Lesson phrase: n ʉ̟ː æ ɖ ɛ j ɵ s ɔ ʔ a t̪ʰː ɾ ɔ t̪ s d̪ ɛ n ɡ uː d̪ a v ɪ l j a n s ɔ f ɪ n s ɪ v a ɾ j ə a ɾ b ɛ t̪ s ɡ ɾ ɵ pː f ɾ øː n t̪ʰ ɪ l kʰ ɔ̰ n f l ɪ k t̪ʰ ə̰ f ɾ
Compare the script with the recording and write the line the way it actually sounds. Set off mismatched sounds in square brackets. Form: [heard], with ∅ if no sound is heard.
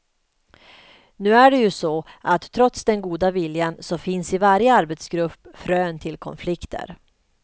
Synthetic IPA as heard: n ʉ̟ː æ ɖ ɛ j ɵ s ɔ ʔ a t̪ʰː ɾ ɔ t̪ s d̪ ɛ n ɡ uː d̪ a v ɪ l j a n s ɔ f ɪ n s ɪ v a ɾ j ə a ɾ b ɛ t̪ s ɡ ɾ ɵ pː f ɾ øː n t̪ʰ ɪ l kʰ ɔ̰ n f l ɪ k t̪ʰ ə̰ [∅] ɾ